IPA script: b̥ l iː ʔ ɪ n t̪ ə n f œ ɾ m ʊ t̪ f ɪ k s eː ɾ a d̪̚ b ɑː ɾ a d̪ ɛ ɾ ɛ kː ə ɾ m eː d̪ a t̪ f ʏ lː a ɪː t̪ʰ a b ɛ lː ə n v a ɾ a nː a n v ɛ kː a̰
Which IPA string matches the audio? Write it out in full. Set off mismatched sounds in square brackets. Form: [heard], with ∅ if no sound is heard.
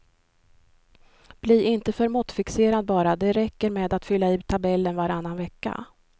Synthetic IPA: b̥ l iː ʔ ɪ n t̪ ə [∅] f œ ɾ m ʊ t̪ f ɪ k s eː ɾ a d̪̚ b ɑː ɾ a d̪ ɛ ɾ ɛ kː ə ɾ m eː d̪ a t̪ f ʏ lː a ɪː t̪ʰ a b ɛ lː ə n v a ɾ a nː a n v ɛ kː a̰